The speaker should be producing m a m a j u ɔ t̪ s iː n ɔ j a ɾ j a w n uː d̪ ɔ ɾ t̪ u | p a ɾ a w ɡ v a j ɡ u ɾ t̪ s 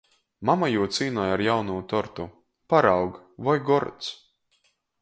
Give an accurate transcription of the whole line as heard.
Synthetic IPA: m a m a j u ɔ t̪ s iː n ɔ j a ɾ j a w n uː t̪ ɔ ɾ t̪ u | p a ɾ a w ɡ v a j ɡ ɔ ɾ t̪ s

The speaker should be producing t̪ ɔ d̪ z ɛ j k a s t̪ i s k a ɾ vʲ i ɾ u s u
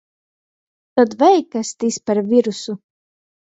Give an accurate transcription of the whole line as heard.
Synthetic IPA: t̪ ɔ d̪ v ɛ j k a s t̪ i s p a ɾ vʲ i ɾ u s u

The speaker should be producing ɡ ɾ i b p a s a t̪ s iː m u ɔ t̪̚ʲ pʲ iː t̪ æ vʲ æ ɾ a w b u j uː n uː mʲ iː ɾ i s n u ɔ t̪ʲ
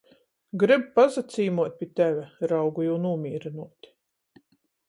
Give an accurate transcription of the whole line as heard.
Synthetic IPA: ɡ ɾ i b p a z a t̪ s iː m u ɔ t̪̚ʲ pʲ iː t̪ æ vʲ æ ɾ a w ɡ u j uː n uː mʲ iː ɾ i n u ɔ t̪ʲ

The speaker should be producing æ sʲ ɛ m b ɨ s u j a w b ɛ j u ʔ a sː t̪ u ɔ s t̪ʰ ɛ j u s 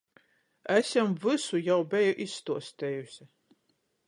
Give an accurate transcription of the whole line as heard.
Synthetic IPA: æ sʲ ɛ m v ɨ s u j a w b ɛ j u ʔ i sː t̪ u ɔ s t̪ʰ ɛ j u s

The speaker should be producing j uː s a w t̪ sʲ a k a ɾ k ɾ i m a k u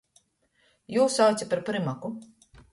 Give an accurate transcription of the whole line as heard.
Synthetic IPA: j uː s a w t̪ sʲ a p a ɾ p ɾ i m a k u

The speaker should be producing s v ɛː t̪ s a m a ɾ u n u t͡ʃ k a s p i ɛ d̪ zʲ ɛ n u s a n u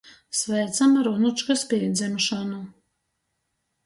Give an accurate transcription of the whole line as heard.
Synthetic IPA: s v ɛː t̪ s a m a ɾ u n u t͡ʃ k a s p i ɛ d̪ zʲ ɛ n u ʃ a n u

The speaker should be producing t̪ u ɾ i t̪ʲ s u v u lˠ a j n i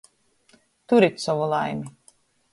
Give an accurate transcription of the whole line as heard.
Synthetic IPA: t̪ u ɾ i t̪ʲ s ɔ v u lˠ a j m i

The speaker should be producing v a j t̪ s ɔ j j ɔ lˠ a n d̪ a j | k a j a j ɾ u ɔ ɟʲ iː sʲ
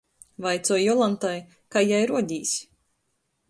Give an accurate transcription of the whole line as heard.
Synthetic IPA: v a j t̪ s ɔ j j ɔ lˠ a n t̪ a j | k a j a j ɾ u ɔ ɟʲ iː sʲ

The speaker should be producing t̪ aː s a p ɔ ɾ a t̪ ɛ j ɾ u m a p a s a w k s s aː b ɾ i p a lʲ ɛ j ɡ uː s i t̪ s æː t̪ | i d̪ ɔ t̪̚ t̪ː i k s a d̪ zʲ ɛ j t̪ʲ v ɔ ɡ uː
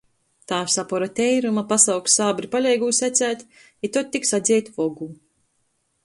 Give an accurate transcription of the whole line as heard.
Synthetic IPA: t̪ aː s a p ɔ ɾ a t̪ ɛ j ɾ u m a p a s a w k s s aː b ɾ i p a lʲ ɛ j ɡ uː s æ t̪ s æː t̪ | i t̪ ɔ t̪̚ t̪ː i k s a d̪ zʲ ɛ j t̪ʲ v ɔ ɡ uː

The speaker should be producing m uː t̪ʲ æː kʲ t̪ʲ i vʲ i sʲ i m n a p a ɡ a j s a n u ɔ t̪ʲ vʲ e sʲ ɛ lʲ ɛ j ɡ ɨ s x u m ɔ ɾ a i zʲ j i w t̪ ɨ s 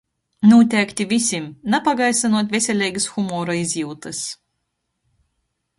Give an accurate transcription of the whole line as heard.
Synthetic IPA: n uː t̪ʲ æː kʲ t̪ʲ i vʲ i sʲ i m n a p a ɡ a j s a n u ɔ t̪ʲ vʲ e sʲ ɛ lʲ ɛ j ɡ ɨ s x u m ɔ ɾ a i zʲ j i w t̪ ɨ s

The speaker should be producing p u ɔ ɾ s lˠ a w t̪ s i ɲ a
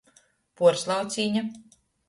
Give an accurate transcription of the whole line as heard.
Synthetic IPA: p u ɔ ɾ s lˠ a w t̪ s iː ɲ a

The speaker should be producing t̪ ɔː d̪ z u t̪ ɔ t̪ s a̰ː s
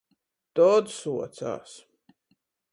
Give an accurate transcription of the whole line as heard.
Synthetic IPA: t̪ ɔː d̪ s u ɔ t̪ s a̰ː s

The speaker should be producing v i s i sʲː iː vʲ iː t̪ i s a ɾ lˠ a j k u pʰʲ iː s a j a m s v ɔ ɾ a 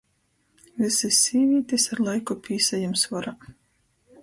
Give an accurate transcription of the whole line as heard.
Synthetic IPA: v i s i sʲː iː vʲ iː t̪ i s a ɾ lˠ a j k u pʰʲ iː s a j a m s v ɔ ɾ a

